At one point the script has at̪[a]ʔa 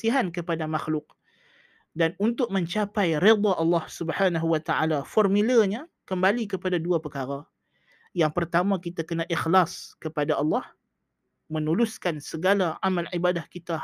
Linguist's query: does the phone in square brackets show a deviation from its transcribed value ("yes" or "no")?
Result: no